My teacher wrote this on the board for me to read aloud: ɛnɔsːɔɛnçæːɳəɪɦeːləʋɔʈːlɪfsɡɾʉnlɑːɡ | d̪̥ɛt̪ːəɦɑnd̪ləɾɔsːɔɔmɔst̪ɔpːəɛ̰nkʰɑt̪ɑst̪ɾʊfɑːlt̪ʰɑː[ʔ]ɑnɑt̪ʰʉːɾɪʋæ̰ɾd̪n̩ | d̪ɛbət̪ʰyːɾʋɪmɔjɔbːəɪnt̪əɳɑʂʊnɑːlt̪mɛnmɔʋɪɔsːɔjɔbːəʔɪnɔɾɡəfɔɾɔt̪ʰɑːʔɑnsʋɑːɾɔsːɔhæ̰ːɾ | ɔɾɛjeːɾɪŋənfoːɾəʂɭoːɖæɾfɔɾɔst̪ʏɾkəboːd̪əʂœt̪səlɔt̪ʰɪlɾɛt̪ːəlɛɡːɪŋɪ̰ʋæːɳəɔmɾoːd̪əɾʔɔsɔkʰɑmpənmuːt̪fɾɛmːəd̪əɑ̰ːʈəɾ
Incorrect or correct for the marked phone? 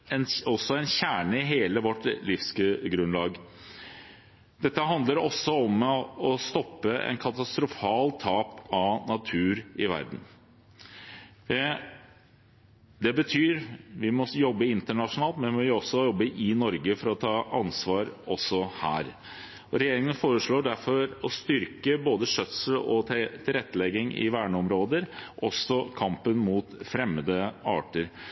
incorrect: p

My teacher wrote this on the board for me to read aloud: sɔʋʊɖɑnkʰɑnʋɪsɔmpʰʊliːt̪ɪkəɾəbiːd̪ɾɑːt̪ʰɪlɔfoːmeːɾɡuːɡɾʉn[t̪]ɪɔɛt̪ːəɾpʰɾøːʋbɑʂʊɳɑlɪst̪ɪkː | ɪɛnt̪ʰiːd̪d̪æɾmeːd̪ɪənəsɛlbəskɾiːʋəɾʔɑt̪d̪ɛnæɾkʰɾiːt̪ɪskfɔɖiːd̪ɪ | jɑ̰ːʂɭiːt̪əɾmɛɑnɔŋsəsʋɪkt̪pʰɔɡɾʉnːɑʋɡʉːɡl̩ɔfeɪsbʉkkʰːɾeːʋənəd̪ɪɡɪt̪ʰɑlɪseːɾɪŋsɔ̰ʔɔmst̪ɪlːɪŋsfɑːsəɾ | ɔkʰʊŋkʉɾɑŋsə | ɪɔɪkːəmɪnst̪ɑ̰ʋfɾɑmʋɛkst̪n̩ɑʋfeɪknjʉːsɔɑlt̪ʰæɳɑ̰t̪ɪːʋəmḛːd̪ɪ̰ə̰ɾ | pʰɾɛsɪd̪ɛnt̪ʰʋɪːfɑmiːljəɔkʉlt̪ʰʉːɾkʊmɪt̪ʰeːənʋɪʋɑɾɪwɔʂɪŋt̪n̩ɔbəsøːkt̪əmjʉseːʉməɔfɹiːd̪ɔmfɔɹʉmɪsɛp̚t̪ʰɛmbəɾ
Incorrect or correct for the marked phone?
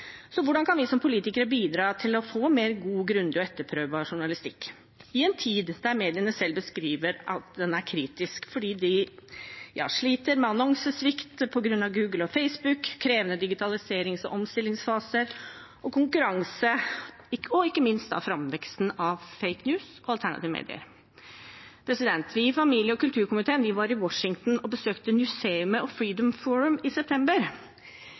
incorrect: d̪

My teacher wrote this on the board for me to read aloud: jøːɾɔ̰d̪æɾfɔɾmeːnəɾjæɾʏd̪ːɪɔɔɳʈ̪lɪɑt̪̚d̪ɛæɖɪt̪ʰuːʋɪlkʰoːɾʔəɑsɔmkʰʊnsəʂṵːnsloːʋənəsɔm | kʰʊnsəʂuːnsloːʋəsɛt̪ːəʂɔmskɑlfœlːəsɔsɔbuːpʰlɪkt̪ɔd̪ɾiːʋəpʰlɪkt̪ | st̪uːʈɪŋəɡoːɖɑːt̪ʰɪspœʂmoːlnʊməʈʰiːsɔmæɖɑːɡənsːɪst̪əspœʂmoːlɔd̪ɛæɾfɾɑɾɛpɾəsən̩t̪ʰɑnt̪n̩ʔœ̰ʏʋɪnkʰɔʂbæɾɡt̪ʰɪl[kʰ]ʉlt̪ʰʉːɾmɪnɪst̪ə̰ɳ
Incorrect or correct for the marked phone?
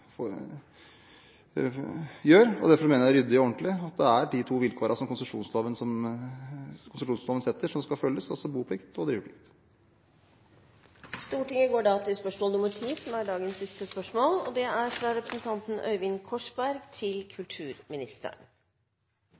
correct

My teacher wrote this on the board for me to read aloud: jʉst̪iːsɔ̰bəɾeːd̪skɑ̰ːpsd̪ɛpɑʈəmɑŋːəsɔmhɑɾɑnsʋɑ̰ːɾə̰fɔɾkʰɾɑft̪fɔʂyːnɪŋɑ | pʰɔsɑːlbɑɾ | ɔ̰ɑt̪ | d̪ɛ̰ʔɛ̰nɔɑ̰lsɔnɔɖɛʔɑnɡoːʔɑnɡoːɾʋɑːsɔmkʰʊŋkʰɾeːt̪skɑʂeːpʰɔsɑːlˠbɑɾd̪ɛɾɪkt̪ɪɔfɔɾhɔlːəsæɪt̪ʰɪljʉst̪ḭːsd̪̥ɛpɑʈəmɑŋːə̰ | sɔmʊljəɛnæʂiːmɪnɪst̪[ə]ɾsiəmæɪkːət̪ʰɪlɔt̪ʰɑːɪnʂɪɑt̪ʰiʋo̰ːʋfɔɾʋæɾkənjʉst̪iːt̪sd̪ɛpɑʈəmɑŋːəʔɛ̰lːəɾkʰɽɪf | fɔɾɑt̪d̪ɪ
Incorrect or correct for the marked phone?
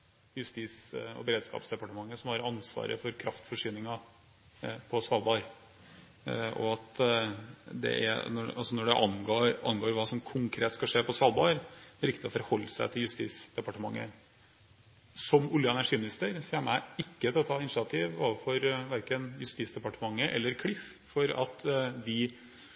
correct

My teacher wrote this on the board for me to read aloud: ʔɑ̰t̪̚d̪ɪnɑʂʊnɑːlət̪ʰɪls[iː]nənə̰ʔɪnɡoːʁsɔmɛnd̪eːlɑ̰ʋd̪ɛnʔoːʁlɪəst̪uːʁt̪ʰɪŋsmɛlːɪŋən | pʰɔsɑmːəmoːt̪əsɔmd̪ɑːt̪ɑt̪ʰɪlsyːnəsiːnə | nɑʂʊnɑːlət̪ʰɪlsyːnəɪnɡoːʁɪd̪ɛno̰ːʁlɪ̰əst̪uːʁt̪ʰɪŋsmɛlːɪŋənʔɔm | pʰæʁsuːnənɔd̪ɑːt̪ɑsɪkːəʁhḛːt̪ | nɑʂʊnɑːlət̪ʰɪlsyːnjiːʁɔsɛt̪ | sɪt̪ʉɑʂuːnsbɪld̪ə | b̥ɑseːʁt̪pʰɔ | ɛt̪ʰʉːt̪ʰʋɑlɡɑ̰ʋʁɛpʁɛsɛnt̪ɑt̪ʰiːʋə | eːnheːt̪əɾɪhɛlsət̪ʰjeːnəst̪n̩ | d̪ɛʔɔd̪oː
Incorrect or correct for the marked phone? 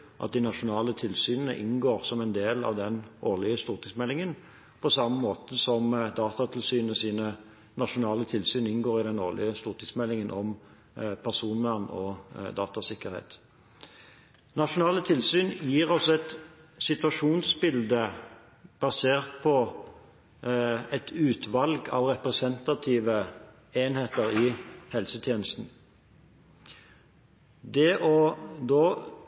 incorrect: yː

